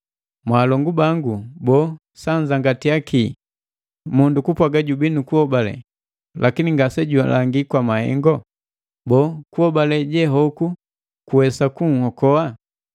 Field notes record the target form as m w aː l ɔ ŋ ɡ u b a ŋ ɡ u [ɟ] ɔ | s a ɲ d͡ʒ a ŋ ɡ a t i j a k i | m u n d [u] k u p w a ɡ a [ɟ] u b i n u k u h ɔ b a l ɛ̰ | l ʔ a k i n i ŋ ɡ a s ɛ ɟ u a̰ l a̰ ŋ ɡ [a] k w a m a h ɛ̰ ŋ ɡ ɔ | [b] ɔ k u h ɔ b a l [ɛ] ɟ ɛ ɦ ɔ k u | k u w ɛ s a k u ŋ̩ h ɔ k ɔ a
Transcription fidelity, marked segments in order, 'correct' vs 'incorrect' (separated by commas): incorrect, correct, correct, incorrect, correct, correct